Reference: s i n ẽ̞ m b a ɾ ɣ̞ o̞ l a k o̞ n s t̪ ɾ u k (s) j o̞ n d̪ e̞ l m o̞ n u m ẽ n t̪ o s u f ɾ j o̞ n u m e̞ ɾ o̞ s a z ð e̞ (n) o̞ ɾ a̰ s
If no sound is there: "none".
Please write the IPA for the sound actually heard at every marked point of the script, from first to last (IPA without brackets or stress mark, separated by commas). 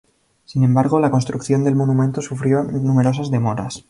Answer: θ, m